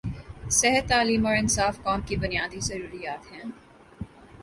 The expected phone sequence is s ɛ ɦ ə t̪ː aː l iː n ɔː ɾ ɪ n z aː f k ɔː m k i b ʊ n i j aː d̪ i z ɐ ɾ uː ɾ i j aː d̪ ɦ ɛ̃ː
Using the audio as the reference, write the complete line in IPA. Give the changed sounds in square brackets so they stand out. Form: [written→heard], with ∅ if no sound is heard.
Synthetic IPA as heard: s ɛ ɦ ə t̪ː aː l iː [n→m] ɔː ɾ ɪ n [z→s] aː f k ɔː m k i b ʊ n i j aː d̪ i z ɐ ɾ uː ɾ i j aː [d̪→t̪] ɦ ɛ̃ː